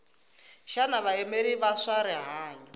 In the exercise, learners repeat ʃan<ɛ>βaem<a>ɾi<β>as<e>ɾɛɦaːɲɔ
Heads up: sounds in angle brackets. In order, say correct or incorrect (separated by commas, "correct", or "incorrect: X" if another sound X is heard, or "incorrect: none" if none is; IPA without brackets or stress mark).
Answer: incorrect: a, incorrect: e, correct, incorrect: a